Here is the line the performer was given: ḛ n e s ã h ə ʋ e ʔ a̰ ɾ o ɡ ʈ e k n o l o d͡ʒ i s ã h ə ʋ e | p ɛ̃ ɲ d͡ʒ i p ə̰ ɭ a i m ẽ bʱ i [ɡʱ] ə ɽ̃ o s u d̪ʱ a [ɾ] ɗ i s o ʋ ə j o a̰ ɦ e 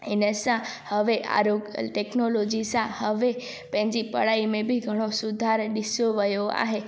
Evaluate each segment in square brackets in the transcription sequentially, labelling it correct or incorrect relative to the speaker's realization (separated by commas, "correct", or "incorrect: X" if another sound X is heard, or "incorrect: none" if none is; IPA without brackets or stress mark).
correct, correct